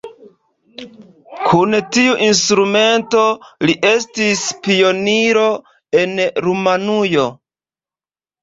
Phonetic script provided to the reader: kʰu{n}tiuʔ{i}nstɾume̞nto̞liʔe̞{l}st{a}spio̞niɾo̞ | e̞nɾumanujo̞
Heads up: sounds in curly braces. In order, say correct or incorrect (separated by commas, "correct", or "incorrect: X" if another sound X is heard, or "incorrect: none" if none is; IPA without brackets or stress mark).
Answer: correct, correct, incorrect: none, incorrect: i